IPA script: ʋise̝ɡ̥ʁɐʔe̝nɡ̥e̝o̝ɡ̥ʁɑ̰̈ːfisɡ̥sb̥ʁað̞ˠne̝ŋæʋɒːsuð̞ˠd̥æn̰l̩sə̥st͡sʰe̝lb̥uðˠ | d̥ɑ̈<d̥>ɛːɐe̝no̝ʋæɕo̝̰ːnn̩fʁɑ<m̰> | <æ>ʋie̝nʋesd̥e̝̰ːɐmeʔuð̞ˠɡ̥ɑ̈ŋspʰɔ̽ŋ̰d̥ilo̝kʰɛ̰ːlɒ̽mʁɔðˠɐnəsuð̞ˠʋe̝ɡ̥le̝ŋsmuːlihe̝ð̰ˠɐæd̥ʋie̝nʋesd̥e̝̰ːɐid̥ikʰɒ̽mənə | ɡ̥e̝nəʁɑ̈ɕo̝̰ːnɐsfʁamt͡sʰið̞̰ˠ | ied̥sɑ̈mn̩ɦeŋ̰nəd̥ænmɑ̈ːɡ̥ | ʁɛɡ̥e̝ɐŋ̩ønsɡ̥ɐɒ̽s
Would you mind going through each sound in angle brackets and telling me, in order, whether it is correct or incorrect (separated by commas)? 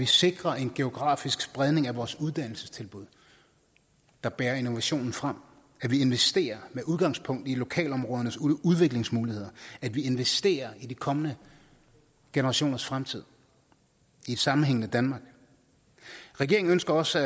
incorrect, correct, correct